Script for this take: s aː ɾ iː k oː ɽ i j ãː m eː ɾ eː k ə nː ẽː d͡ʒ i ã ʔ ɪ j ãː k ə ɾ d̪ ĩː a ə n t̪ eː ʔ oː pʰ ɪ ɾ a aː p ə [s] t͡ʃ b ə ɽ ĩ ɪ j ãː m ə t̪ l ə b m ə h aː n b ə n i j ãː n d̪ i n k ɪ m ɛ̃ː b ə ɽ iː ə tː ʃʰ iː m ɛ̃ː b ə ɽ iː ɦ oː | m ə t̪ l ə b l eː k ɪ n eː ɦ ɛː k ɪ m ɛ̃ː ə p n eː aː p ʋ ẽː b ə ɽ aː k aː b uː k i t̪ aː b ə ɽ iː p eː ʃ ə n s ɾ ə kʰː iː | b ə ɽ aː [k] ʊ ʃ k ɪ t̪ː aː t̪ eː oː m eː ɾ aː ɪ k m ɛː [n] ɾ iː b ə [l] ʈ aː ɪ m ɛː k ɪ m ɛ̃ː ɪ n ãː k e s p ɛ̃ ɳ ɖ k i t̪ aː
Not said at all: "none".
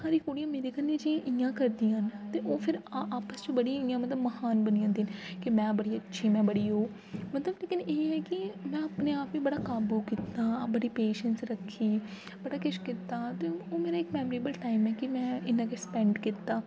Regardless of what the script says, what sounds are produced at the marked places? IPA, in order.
s, k, m, l

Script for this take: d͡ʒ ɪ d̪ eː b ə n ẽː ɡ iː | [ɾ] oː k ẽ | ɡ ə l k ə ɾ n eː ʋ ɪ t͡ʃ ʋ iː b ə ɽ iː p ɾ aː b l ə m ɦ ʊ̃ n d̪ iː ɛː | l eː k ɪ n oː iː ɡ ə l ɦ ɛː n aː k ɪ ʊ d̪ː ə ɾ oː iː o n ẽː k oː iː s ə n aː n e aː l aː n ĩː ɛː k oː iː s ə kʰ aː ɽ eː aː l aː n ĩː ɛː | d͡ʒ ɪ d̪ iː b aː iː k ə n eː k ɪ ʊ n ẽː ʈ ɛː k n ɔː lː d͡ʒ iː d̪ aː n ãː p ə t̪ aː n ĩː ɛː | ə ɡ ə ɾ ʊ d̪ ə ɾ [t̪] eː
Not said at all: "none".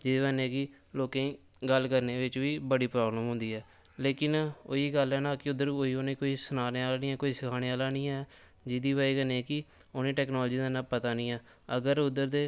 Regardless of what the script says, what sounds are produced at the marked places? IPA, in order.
l, d̪

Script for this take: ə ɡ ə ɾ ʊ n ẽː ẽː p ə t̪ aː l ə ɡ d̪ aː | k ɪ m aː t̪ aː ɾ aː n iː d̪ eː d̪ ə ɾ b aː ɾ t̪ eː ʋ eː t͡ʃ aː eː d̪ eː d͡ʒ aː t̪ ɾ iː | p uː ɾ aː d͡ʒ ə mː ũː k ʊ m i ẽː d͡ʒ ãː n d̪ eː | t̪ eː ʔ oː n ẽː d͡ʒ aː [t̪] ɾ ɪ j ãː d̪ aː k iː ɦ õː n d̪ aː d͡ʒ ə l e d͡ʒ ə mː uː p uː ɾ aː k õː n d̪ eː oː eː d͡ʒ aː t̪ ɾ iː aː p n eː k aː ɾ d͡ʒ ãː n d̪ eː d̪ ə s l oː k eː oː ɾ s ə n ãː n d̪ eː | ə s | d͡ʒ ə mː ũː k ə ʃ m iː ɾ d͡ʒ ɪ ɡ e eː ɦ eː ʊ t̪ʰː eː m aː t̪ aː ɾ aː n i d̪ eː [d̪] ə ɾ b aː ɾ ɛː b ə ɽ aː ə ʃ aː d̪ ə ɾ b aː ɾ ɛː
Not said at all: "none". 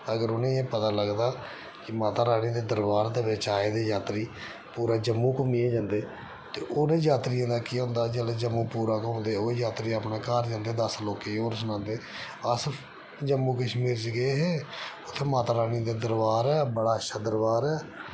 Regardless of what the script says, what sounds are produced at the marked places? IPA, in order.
t̪, d̪

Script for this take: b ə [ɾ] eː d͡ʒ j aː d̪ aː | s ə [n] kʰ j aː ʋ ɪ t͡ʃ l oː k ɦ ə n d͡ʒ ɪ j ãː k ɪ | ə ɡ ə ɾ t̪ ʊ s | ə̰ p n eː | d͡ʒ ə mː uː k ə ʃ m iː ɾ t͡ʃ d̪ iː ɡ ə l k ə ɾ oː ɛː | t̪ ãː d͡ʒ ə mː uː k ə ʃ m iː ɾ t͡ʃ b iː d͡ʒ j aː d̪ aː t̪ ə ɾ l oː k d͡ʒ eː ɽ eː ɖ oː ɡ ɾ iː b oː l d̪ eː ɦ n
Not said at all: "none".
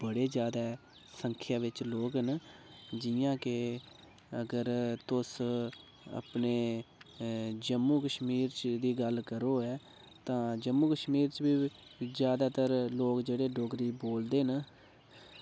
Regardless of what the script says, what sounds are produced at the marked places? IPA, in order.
ɽ, ŋ

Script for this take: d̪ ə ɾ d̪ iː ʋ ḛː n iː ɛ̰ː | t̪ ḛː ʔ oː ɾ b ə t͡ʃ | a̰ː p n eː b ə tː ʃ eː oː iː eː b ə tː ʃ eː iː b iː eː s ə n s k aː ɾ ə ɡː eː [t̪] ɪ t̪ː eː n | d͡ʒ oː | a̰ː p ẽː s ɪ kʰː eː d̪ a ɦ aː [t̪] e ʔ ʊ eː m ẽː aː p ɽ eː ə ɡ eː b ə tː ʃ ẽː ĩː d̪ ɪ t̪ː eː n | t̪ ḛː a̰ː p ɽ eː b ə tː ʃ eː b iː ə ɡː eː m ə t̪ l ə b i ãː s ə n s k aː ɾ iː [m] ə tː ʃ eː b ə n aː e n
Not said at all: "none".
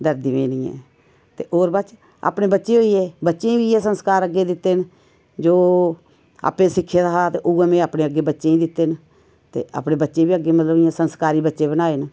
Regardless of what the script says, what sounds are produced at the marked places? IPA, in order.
d̪, t̪, b

